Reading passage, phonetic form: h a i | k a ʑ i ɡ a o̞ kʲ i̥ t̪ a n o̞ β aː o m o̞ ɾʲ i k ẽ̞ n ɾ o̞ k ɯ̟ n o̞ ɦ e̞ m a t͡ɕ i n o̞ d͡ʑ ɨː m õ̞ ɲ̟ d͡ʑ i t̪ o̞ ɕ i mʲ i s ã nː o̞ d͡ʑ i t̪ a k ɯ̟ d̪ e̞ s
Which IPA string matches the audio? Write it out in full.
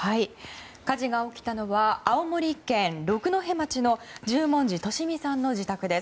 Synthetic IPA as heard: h a i | k a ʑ i ɡ a o̞ kʲ i̥ t̪ a n o̞ β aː o m o̞ ɾʲ i k ẽ̞ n ɾ o̞ k ɯ̟ n o̞ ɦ e̞ m a t͡ɕ i n o̞ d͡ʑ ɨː m õ̞ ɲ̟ d͡ʑ i t̪ o̞ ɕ i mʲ i s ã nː o̞ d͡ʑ i t̪ a k ɯ̟ d̪ e̞ s